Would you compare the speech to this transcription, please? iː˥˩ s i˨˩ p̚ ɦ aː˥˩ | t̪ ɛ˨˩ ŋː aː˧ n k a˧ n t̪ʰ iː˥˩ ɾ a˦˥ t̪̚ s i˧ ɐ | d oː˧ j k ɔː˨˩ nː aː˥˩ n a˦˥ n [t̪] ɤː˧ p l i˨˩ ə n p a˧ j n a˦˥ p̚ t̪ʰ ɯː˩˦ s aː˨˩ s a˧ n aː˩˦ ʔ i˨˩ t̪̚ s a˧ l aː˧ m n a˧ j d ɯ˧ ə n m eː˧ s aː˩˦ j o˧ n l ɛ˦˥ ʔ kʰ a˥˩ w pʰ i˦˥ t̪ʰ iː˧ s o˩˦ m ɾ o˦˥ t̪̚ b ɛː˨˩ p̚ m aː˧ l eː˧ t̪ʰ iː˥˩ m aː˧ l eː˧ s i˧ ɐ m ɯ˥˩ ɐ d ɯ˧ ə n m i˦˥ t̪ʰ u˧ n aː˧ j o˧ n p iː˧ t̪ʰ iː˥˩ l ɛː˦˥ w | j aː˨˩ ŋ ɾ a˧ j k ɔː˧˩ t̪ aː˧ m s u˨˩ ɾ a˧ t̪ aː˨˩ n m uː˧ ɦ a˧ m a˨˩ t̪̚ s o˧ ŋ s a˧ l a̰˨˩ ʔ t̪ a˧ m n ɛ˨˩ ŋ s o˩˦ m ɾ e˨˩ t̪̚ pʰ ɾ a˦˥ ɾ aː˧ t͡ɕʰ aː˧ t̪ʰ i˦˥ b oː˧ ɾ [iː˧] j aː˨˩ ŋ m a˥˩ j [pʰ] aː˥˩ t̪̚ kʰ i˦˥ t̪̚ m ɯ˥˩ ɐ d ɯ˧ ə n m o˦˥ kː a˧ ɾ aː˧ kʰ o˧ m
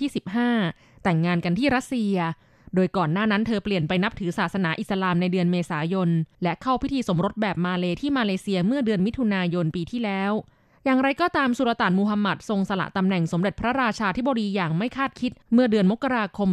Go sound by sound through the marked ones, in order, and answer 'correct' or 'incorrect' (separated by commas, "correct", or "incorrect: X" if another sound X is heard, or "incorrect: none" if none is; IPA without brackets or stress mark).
incorrect: t̪ʰ, correct, incorrect: kʰ